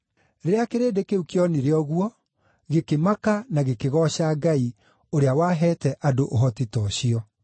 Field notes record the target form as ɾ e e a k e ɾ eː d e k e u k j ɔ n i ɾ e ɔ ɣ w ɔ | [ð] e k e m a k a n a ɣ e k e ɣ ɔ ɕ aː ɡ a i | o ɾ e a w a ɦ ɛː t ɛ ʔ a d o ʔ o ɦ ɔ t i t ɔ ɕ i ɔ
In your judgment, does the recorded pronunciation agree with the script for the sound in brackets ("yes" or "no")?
no